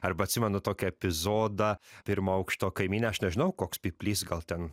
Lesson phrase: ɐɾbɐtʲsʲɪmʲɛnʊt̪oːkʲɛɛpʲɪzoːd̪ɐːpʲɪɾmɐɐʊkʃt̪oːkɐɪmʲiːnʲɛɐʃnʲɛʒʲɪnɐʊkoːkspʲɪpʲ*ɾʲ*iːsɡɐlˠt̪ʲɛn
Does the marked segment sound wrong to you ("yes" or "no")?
yes